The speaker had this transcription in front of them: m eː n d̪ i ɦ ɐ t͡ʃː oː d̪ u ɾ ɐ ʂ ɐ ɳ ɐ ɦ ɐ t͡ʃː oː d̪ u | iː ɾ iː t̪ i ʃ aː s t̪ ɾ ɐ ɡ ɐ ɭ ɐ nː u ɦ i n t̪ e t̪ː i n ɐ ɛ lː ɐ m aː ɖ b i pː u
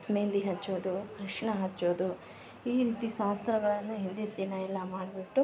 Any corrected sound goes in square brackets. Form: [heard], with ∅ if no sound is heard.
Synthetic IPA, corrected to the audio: m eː n d̪ i ɦ ɐ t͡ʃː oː d̪ u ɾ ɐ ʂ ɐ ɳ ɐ ɦ ɐ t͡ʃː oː d̪ u | iː ɾ iː t̪ i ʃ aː s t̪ ɾ ɐ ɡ ɐ ɭ ɐ nː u ɦ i n [d̪] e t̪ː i n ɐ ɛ lː ɐ m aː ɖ b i [ʈː] u